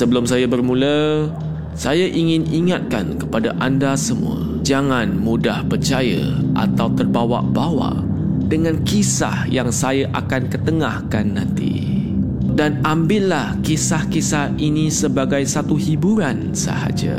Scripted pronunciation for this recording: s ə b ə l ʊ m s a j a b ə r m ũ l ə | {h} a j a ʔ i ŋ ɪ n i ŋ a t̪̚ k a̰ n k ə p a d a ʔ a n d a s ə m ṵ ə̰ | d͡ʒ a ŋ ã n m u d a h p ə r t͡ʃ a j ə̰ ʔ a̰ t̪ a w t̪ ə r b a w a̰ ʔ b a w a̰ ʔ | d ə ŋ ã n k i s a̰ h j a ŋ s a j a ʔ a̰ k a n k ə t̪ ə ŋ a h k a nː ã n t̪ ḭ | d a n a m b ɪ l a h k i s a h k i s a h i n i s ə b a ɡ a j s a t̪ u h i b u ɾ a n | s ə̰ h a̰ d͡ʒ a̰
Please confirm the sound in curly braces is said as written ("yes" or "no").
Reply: no